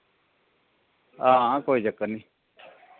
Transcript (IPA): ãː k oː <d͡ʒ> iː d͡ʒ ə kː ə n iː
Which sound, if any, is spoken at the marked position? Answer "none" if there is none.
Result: none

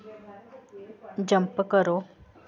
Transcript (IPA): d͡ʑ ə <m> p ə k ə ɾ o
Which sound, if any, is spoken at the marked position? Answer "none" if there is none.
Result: m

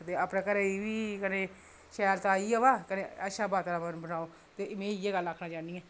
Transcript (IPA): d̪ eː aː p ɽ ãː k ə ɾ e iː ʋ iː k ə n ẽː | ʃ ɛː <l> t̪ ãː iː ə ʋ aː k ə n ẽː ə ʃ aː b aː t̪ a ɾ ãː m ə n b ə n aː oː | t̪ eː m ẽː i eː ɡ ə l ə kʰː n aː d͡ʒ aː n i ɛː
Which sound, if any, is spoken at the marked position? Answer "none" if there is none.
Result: ɾ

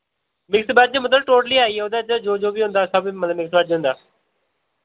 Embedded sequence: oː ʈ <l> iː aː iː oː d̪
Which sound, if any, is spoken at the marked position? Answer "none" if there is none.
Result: l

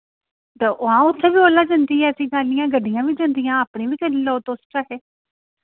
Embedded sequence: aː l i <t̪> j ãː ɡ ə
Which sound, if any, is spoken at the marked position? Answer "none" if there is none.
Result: none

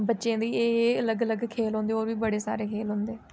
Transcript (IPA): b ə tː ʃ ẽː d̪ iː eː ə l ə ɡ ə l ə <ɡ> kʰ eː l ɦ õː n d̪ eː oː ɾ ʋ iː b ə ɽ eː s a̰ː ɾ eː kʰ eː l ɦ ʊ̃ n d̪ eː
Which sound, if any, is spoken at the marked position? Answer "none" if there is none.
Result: ɡ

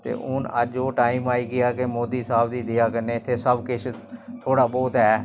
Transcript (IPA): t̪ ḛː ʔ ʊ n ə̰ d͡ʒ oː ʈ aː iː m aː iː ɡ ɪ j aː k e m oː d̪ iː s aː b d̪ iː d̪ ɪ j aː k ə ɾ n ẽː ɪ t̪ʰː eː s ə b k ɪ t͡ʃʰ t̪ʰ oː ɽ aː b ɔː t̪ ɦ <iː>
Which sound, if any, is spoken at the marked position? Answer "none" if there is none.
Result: ɛː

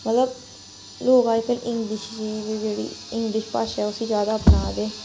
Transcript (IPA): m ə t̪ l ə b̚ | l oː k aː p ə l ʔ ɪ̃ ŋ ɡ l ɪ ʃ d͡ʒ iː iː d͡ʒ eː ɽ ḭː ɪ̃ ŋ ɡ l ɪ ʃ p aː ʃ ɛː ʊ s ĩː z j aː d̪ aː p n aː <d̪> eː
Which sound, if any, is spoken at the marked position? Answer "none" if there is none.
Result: d̪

